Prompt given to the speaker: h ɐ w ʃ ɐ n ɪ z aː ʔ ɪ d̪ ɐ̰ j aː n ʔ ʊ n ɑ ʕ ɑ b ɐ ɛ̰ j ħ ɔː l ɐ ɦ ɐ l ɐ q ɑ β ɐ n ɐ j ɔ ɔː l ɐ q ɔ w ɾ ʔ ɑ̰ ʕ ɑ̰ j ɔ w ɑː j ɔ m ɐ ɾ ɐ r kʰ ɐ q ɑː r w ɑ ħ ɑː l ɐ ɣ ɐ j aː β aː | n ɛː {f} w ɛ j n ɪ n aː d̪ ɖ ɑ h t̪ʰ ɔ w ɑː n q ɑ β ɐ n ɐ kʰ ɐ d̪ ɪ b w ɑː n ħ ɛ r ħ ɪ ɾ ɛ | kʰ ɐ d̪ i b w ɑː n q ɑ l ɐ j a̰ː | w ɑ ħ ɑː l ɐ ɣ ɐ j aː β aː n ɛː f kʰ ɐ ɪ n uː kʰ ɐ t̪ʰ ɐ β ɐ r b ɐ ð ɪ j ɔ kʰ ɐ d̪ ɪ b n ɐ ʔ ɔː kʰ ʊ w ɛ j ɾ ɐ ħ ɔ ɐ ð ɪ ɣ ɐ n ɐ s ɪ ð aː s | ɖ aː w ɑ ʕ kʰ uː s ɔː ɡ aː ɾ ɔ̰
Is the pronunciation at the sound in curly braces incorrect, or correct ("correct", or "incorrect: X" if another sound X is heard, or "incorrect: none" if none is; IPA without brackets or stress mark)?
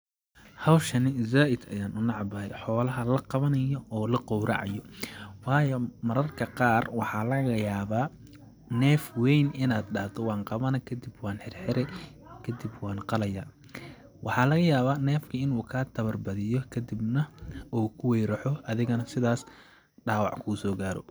correct